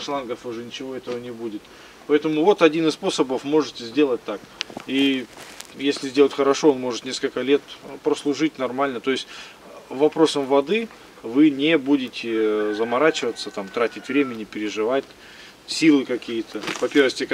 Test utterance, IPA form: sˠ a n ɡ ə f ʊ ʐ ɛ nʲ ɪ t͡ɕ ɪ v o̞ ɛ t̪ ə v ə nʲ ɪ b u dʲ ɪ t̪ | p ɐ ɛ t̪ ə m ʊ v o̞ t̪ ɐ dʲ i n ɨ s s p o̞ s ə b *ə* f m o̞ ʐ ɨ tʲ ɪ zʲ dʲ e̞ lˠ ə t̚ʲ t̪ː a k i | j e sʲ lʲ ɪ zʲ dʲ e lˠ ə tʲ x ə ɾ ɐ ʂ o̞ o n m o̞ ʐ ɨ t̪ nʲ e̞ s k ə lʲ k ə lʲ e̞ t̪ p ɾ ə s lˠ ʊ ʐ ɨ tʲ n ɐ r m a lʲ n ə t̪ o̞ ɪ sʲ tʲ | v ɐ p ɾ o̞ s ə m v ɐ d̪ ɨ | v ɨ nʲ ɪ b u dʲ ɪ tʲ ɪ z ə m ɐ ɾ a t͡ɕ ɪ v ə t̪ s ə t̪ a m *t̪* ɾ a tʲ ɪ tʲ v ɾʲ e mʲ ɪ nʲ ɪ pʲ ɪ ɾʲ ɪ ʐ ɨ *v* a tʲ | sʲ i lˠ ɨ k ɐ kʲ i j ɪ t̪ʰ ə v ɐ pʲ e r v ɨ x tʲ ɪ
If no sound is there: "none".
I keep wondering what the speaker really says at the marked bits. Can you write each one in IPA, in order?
ə, t̪, v

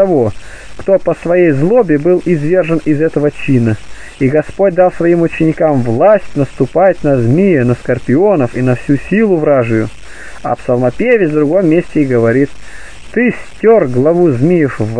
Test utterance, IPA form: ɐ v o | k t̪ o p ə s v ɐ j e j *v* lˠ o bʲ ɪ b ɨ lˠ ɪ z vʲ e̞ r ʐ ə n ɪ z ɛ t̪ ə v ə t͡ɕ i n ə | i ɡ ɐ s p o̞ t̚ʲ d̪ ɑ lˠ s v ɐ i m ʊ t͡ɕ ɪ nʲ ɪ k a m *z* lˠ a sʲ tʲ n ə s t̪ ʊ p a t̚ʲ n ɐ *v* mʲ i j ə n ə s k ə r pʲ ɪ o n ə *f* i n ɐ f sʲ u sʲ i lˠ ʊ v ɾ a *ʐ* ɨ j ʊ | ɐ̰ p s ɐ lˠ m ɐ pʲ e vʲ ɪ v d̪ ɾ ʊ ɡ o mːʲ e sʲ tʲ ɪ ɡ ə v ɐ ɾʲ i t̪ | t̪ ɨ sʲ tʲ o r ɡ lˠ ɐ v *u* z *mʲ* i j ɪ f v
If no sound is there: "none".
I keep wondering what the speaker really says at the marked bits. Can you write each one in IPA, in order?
z, v, z, f, ʐ, u, mʲ

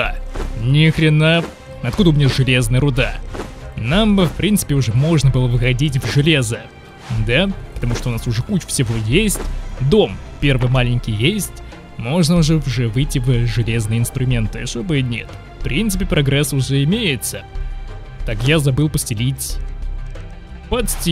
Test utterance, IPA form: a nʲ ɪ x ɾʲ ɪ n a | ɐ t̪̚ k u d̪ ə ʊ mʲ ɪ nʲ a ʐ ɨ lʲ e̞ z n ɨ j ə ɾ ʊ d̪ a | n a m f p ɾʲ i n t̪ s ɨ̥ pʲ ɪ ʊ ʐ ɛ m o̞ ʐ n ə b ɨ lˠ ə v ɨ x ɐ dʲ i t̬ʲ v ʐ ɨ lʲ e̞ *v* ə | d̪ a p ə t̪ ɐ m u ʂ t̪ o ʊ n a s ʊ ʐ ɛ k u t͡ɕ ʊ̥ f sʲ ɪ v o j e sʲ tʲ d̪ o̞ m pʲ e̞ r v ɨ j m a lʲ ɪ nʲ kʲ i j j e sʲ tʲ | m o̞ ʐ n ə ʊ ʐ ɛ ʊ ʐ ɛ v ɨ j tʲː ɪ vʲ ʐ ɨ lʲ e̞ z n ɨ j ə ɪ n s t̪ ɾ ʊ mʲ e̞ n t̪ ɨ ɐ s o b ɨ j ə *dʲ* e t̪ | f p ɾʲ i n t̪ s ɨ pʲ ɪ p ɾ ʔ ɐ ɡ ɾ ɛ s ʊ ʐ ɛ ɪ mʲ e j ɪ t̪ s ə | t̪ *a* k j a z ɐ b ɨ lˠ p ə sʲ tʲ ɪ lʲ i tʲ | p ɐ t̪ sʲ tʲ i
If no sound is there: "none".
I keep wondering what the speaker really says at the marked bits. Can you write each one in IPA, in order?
z, nʲ, a

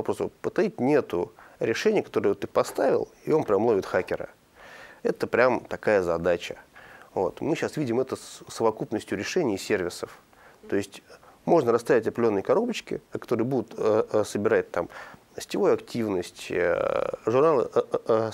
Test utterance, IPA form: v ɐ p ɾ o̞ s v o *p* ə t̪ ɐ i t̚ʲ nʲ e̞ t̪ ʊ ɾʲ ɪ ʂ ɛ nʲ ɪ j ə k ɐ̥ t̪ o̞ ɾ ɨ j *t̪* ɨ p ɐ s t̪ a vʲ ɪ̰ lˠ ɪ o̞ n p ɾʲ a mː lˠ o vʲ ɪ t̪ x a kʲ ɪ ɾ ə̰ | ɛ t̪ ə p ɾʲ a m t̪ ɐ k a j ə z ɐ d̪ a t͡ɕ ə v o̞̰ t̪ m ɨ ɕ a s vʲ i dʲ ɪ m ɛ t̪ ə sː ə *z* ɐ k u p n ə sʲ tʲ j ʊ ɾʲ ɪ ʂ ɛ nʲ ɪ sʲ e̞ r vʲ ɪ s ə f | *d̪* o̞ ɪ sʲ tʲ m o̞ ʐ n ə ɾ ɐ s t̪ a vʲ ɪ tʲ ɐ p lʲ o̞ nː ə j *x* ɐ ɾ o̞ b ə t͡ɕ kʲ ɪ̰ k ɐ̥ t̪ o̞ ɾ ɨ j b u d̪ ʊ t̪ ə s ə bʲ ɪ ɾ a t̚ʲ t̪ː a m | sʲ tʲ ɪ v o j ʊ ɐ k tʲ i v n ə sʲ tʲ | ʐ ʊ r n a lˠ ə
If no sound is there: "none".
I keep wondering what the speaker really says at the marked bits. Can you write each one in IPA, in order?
p, t̪, v, t̪, k

